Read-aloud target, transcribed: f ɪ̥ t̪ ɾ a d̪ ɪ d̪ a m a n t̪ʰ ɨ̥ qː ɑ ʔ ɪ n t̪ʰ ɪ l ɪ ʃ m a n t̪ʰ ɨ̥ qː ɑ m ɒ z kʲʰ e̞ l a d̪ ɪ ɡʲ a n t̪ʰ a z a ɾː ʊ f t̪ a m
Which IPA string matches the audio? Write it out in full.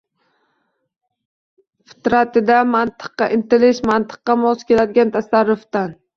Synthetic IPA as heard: f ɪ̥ t̪ ɾ a t̪ ɪ d̪ a m a n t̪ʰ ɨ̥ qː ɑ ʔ ɪ n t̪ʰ ɪ l ɪ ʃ m a n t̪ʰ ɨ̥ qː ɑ m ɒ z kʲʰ e̞ l a d̪ ɪ ɡʲ a n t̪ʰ a s a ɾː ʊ f t̪ a n